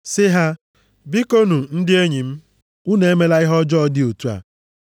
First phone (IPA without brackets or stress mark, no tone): s